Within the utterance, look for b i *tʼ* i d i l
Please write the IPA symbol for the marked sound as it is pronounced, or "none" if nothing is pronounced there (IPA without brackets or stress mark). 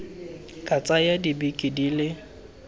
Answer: kʼ